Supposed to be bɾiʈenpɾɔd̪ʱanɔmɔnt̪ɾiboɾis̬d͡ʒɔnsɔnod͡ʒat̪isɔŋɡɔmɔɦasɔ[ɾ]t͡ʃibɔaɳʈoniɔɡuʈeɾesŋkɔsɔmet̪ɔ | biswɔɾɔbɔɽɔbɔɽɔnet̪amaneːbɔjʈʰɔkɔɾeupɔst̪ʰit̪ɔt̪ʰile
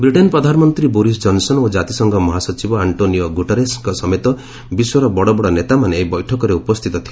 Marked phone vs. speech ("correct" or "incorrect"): incorrect